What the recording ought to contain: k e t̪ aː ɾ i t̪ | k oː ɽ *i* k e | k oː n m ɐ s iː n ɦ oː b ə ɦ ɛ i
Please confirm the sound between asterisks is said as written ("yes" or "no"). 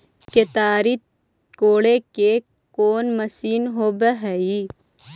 no